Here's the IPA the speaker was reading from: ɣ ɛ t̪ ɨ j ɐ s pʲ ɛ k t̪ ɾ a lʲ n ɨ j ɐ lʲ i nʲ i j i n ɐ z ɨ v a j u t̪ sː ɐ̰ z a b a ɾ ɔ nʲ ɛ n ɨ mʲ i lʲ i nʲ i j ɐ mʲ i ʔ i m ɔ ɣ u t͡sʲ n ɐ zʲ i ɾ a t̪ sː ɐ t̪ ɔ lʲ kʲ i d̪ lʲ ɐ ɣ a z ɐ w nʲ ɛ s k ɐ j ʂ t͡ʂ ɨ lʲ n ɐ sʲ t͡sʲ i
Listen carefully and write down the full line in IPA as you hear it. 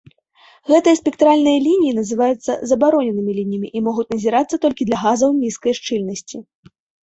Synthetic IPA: ɣ ɛ t̪ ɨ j ɐ s pʲ ɛ k t̪ ɾ a lʲ n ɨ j ɐ lʲ i nʲ i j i n ɐ z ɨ v a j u t̪ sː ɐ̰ z ɐ b a ɾ ɔ nʲ ɛ n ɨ mʲ i lʲ i nʲ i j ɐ mʲ i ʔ i m ɔ ɣ u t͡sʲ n ɐ zʲ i ɾ a t̪ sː ɐ t̪ ɔ lʲ kʲ i d̪ lʲ ɐ ɣ a z ɐ w nʲ i s k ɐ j ʂ t͡ʂ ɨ lʲ n ɐ sʲ t͡sʲ i